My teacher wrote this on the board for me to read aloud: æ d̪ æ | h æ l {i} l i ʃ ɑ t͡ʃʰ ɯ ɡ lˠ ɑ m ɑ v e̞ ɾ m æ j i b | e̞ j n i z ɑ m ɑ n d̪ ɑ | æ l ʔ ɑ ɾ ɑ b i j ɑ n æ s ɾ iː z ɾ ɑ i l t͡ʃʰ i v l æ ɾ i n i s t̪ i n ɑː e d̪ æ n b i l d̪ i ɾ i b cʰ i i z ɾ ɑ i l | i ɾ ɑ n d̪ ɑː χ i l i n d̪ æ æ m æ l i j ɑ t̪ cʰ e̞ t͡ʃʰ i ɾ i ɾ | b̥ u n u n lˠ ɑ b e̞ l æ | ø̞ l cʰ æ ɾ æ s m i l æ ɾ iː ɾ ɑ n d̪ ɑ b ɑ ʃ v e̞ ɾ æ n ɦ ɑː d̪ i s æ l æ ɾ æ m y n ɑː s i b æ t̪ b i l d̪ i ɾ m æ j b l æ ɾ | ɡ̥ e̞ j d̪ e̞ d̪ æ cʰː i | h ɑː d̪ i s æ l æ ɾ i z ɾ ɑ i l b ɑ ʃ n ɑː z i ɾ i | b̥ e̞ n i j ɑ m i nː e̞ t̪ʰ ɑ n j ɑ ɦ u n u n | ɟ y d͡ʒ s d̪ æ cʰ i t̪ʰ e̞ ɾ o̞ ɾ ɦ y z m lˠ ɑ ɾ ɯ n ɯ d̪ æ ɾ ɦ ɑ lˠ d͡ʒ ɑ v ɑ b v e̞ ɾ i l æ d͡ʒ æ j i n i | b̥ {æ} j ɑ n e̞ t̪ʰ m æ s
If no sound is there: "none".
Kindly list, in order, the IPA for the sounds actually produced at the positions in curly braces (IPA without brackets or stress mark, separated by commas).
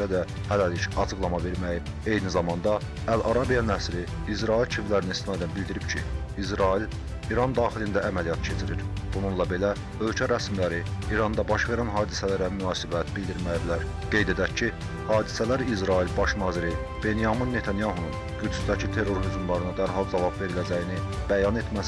æ, æ